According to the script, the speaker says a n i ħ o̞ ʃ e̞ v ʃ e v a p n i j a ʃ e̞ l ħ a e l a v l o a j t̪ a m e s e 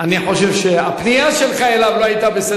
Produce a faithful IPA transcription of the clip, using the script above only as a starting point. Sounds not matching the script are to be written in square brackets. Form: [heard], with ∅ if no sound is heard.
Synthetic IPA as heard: a n i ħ o̞ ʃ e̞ v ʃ e [∅] a p n i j a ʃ e̞ l [χ] a e l a v l o a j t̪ a [b] e s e

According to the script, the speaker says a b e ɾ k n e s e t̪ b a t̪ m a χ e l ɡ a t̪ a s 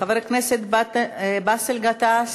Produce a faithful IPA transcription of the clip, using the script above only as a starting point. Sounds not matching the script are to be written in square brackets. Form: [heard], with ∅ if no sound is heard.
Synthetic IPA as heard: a [v] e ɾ k n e s e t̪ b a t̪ [b] a [s] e l ɡ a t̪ a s

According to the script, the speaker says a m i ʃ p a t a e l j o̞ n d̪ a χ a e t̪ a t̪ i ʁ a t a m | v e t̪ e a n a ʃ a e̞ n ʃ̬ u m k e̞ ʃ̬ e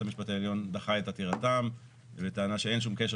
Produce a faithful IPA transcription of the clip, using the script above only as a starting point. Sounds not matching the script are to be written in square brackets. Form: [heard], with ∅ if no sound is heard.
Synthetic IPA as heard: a m i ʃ p a t a e l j o̞ n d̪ a χ a e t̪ a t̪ i ʁ a t a m | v e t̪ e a n a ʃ [e] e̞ n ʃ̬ u m k e̞ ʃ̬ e

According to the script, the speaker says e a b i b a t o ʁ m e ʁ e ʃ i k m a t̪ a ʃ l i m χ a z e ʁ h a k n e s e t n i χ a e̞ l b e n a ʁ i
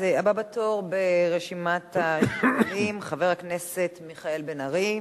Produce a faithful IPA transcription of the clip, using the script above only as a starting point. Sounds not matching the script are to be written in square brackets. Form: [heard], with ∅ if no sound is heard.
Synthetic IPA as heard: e a b [a] b a t o ʁ [b] e ʁ e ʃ i [∅] m a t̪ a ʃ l i m χ a [v] e ʁ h a k n e s e t [m] i χ a e̞ l b e n a ʁ i

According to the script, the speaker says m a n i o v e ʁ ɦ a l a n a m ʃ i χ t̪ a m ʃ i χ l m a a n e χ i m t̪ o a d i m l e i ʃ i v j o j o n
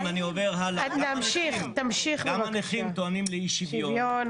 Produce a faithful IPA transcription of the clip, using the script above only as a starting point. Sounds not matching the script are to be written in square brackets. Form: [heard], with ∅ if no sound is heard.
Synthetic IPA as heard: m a n i o v e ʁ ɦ a l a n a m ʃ i χ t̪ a m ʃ i χ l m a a n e χ i m t̪ o a [n] i m l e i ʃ i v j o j o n

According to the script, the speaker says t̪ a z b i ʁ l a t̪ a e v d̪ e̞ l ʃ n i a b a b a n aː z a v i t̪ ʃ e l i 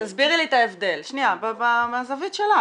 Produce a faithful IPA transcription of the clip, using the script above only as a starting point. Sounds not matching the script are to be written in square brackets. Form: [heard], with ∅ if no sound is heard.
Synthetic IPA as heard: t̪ a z b i ʁ l [i] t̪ a e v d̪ e̞ l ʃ n i a b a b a [m] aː z a v i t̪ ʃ e l [a]

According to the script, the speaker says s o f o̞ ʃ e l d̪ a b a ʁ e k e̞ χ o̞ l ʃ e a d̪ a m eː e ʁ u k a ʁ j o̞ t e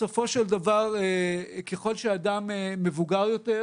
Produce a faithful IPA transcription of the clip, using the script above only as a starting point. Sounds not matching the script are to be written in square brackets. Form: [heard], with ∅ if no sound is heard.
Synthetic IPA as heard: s o f o̞ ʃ e l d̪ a [v] a ʁ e k e̞ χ o̞ l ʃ e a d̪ a m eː e [v] u [ɡ] a ʁ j o̞ t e

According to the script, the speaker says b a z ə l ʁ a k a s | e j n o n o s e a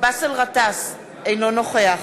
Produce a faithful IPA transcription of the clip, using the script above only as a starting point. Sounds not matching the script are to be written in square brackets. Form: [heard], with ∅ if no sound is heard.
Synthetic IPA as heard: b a [s] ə l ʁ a [t] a s | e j n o n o [χ] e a

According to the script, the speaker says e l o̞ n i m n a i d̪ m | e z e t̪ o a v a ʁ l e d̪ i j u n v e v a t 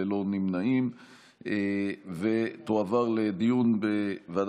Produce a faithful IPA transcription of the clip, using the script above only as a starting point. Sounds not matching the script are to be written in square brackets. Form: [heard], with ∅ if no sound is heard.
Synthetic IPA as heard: e l o̞ n i m n a i [∅] m | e [v] e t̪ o a v a ʁ l e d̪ i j u n [b] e v a [d]

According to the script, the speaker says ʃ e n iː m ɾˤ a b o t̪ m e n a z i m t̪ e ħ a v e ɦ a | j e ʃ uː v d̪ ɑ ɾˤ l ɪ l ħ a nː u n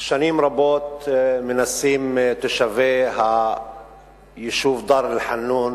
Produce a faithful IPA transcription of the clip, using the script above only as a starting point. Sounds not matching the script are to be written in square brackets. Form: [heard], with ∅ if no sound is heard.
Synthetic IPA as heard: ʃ [a] n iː m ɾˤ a b o t̪ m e n a [s] i m t̪ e [ʃ] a v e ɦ a | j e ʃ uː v d̪ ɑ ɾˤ l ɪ l ħ a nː u n

